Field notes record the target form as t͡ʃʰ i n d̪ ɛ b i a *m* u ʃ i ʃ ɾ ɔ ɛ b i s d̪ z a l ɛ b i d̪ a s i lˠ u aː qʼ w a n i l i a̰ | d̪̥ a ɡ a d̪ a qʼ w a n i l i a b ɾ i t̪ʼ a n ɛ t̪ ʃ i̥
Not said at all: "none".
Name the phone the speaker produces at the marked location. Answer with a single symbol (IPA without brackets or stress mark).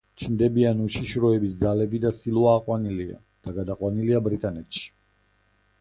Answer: n